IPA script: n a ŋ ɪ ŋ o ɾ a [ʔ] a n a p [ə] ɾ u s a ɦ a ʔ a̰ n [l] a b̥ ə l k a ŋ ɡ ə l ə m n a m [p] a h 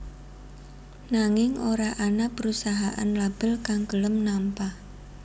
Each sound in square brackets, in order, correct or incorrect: correct, correct, correct, correct

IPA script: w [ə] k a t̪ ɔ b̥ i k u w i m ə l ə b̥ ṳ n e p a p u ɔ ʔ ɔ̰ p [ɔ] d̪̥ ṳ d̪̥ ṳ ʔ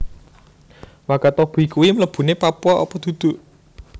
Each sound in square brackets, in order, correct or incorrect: incorrect, correct

